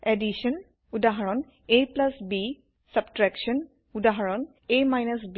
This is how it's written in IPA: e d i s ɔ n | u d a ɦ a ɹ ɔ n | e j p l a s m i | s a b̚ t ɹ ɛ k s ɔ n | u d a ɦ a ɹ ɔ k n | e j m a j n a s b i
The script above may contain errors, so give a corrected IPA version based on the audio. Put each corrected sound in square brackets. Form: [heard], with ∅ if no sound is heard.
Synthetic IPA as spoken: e d i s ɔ n | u d a ɦ a ɹ ɔ n | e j p l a s [b] i | s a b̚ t ɹ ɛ k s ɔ n | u d a ɦ a ɹ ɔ [∅] n | e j m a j n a s b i